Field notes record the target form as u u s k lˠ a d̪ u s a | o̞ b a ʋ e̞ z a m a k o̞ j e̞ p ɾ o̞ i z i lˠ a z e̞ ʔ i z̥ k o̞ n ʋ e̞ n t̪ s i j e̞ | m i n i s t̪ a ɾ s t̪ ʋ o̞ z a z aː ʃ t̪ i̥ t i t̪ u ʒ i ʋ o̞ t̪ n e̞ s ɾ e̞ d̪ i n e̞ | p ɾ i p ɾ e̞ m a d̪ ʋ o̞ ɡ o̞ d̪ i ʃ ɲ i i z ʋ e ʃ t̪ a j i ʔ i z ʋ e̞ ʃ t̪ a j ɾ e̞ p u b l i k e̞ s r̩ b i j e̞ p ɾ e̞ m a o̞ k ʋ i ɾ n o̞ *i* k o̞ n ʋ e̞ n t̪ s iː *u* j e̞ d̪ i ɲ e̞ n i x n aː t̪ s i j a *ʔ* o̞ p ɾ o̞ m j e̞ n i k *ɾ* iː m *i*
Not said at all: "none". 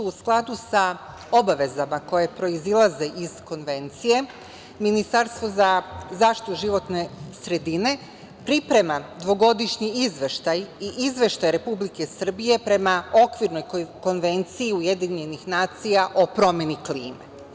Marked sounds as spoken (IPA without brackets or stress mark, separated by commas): j, u, ʔ, l, e